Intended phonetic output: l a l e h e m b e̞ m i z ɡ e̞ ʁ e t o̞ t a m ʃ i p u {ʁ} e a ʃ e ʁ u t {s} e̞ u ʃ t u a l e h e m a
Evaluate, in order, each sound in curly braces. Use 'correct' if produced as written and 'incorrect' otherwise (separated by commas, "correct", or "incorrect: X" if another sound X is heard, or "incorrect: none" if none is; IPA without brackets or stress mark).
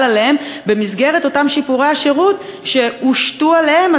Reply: correct, incorrect: ʃ